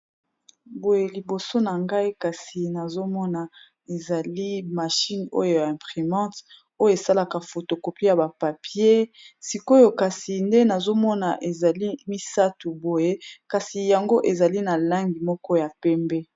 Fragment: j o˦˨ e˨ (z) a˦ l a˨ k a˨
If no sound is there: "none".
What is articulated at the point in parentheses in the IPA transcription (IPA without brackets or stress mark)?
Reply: s